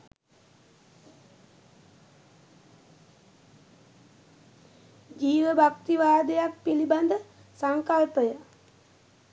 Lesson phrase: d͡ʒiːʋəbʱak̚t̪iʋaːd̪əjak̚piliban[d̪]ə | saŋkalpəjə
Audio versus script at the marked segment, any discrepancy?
no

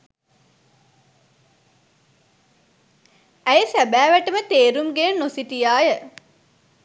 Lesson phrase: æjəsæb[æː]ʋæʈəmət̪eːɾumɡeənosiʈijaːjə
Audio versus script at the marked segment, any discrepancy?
no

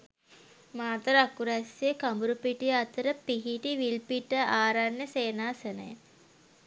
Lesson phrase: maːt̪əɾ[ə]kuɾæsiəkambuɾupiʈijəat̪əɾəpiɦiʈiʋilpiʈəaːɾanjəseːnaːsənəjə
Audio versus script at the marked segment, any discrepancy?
yes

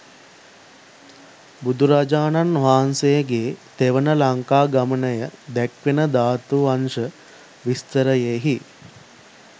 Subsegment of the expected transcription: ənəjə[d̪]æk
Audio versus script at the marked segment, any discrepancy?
no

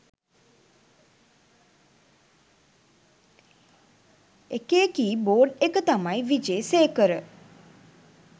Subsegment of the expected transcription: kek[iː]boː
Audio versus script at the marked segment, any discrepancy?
no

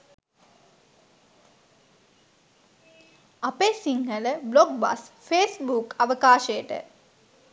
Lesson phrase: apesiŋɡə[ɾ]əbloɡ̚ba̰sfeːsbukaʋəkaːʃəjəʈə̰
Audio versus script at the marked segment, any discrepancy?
yes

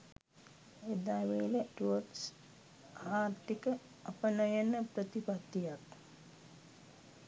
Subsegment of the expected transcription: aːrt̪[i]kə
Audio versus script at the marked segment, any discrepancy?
no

